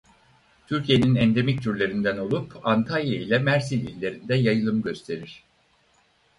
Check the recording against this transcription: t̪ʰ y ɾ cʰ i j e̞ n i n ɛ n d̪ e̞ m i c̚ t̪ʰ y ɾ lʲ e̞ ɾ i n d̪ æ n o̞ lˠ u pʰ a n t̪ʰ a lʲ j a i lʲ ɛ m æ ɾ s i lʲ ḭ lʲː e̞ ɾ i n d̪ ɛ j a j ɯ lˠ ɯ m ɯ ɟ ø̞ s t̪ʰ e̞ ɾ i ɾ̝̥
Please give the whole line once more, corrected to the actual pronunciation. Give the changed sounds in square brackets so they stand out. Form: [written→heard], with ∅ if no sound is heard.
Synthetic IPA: t̪ʰ y ɾ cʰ i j e̞ n i n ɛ n d̪ e̞ m i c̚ t̪ʰ y ɾ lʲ e̞ ɾ i n d̪ æ n o̞ lˠ u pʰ a n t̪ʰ a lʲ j a i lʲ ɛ m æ ɾ s i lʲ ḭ lʲː e̞ ɾ i n d̪ ɛ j a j ɯ lˠ ɯ m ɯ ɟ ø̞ s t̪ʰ e̞ ɾ i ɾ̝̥